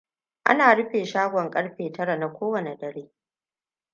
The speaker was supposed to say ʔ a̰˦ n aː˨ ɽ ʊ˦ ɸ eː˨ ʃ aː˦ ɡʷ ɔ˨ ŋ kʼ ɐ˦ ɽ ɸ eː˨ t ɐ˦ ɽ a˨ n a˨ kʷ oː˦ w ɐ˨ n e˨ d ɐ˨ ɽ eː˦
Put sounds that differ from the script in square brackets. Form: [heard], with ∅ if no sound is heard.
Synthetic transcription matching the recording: ʔ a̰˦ n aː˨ ɽ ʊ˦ ɸ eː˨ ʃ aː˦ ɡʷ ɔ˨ ŋ kʼ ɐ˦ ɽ ɸ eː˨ t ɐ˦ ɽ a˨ n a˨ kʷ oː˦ w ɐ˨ n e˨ d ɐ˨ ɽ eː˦